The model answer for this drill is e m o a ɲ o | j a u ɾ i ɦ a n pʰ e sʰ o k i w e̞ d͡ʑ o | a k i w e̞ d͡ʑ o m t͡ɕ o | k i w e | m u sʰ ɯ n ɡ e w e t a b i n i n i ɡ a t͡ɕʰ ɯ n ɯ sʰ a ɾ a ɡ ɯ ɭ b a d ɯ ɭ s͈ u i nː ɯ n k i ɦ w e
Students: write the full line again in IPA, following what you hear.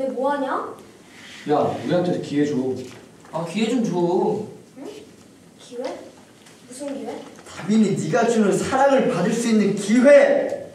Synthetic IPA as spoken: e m o a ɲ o | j a u ɾ i ɦ a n tʰ e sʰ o k i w e̞ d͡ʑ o | a k i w e̞ d͡ʑ o m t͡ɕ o | k i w e | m u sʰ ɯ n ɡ i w e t a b i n i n i ɡ a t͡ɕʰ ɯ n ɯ sʰ a ɾ a ŋ ɯ ɭ p a d ɯ ɭ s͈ u i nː ɯ n k i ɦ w e